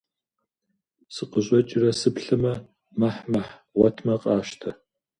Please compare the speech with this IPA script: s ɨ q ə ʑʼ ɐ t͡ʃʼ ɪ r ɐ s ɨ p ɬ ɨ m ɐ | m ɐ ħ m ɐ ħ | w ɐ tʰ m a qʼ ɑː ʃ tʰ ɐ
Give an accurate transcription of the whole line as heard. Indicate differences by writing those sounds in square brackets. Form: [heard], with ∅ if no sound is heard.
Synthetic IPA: s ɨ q ə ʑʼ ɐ t͡ʃʼ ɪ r ɐ s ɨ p ɬ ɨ m ɐ | m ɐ ħ m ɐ ħ | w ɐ tʰ m [ɐ] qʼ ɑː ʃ tʰ ɐ